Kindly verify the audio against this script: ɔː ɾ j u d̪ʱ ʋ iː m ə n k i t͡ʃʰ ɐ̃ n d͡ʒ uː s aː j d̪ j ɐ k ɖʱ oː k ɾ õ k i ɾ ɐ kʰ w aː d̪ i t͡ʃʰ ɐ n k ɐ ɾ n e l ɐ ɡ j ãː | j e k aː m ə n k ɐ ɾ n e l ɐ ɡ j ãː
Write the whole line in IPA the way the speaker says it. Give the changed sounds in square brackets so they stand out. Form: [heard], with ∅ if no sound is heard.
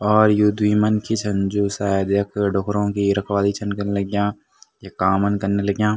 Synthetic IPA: ɔː ɾ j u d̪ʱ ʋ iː m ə n k i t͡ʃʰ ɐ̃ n d͡ʒ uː s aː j d̪ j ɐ k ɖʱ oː k ɾ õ k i ɾ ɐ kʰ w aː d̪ i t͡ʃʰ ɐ n k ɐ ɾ n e l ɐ ɡ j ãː | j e k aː m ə n k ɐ ɾ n e l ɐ ɡ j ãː